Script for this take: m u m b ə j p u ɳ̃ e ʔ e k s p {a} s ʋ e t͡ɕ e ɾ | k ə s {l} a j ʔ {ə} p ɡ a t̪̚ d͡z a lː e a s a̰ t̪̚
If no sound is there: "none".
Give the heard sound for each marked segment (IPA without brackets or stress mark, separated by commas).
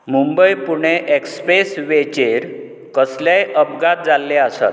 e, l, ə